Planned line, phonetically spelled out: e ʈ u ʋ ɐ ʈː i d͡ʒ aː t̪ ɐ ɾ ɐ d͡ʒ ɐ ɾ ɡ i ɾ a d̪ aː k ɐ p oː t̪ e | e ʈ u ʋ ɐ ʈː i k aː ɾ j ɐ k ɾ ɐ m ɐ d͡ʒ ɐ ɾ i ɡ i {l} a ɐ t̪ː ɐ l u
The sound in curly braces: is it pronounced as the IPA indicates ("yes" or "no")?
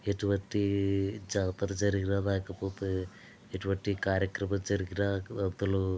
no